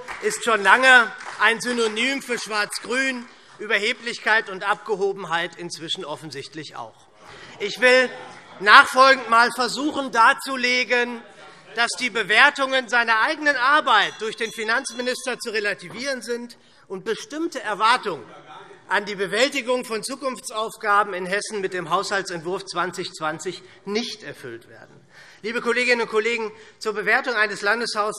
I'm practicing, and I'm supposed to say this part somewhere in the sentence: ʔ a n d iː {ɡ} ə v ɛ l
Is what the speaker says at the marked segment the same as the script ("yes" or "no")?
no